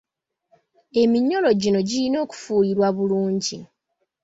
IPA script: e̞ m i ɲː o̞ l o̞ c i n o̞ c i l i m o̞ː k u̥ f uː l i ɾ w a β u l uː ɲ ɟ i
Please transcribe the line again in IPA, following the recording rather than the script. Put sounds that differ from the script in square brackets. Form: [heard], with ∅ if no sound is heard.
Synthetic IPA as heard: e̞ m i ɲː o̞ l o̞ [ɟ] i n o̞ [ɟ] i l i [n] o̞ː k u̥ f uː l i ɾ w a β u l uː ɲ ɟ i